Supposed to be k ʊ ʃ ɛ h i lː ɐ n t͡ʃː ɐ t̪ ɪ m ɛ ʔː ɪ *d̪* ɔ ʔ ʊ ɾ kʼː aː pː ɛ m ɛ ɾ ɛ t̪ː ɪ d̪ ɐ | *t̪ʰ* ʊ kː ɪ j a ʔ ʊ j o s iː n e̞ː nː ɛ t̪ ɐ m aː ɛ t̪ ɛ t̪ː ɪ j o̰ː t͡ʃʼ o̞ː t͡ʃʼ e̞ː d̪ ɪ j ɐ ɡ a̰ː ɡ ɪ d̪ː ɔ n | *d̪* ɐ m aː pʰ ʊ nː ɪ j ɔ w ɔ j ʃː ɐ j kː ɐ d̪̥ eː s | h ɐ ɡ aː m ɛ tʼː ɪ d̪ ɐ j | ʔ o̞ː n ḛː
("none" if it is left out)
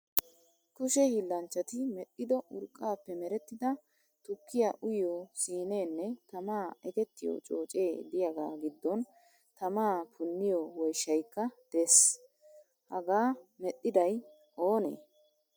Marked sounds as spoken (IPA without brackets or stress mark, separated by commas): d̪, t̪, t̪